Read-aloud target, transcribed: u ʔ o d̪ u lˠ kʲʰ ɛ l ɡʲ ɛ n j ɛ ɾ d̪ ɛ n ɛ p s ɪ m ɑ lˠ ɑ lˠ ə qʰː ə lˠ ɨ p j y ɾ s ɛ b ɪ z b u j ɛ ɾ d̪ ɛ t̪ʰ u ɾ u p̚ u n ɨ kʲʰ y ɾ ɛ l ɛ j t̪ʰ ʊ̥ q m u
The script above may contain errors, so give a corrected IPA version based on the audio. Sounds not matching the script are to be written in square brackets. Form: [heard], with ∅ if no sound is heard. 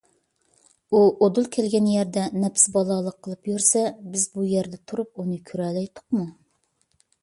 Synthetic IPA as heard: u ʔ o d̪ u lˠ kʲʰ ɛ l ɡʲ ɛ n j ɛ ɾ d̪ ɛ n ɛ p s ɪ [b] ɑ lˠ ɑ lˠ ə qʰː ə lˠ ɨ p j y ɾ s ɛ b ɪ z b u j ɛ ɾ d̪ ɛ t̪ʰ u ɾ u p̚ u n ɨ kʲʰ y ɾ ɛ l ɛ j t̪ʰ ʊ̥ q m u

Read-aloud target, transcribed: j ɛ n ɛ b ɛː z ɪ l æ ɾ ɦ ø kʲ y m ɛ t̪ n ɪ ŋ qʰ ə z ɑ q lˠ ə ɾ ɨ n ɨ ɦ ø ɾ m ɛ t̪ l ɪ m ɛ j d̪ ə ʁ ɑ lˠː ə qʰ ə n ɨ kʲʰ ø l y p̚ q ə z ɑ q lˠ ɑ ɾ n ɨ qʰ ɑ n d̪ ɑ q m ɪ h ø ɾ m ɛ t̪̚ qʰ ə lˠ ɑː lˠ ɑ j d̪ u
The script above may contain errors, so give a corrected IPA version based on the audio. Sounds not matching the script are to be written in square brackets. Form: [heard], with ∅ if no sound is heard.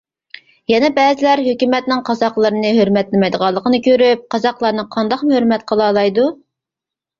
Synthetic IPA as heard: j ɛ n ɛ b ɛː z ɪ l æ ɾ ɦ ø kʲ y m ɛ t̪ n ɪ ŋ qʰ [ɑ] z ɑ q lˠ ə ɾ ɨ n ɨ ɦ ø ɾ m ɛ t̪ l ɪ m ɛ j d̪ ə ʁ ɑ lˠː ə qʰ ə n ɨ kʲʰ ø [ɾ] y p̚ q [ɑ] z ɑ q lˠ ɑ ɾ n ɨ qʰ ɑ n d̪ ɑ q m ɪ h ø ɾ m ɛ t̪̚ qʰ ə lˠ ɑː lˠ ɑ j d̪ u

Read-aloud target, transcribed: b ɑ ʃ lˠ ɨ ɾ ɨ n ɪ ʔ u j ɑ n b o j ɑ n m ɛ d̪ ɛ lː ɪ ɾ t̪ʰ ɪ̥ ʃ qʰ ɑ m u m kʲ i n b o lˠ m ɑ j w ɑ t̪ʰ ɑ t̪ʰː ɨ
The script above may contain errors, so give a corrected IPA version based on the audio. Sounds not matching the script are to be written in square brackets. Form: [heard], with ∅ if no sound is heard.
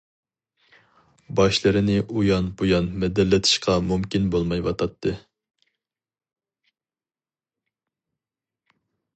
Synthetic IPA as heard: b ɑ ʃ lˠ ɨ ɾ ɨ n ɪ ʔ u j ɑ n b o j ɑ n m ɛ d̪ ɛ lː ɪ [∅] t̪ʰ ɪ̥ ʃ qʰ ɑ m u m kʲ i n b o lˠ m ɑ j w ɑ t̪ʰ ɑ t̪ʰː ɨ

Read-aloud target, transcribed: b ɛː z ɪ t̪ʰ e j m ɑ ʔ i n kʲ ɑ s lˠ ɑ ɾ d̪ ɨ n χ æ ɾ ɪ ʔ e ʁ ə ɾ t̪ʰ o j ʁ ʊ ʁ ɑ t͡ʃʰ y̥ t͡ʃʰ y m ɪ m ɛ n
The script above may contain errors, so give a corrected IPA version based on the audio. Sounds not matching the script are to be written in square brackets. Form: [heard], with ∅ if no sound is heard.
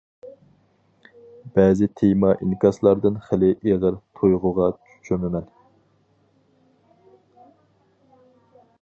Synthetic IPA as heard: b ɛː z ɪ t̪ʰ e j m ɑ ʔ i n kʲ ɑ s lˠ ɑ ɾ d̪ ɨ n χ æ [l] ɪ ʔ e ʁ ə ɾ t̪ʰ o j ʁ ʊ ʁ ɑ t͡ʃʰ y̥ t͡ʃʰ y m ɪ m ɛ n

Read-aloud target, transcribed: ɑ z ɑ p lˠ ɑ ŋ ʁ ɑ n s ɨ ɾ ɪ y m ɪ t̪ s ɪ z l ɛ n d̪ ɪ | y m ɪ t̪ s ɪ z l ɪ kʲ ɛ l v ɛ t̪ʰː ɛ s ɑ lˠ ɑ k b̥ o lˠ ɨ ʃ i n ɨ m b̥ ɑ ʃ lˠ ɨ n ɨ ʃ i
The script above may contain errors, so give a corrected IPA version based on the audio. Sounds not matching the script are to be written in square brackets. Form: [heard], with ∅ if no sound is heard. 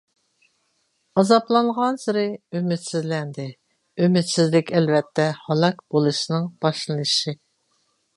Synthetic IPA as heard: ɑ z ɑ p lˠ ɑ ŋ ʁ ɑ n s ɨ ɾ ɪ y m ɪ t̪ s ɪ z l ɛ n d̪ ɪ | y m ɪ t̪ s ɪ z l ɪ kʲ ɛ l v ɛ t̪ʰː ɛ [h] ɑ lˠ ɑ k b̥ o lˠ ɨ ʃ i n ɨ [ŋ] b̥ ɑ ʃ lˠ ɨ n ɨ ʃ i

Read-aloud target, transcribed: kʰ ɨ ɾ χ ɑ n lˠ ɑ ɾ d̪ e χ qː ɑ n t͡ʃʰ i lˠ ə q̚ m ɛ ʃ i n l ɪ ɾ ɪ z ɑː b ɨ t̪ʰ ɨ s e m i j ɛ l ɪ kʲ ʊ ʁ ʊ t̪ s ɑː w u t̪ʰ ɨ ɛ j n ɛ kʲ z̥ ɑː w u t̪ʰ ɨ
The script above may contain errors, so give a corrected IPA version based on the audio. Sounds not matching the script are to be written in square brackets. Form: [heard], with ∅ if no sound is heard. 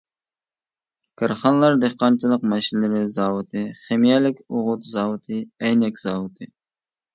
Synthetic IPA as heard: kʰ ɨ ɾ χ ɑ n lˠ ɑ ɾ d̪ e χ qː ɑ n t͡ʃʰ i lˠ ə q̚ m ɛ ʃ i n l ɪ ɾ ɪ z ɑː [w] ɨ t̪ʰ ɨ [χ] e m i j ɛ l ɪ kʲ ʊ ʁ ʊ t̪ [z] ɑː w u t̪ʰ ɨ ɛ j n ɛ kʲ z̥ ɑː w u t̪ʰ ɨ

